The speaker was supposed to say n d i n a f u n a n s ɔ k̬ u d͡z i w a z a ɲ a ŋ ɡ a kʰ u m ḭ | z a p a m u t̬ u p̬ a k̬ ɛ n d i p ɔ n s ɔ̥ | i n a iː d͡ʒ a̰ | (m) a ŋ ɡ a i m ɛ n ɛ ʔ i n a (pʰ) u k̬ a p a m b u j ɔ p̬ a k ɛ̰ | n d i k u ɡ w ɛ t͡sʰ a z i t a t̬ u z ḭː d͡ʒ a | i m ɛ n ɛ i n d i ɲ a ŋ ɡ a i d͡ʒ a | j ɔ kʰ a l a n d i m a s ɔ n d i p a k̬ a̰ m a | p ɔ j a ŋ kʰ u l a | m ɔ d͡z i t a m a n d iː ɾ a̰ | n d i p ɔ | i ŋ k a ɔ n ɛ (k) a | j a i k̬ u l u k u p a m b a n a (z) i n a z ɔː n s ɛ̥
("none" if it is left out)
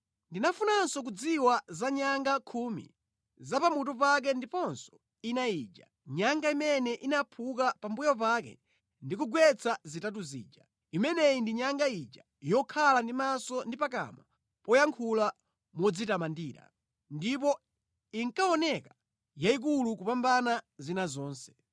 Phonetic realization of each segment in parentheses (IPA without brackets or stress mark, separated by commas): ɲ, pʰ, k, z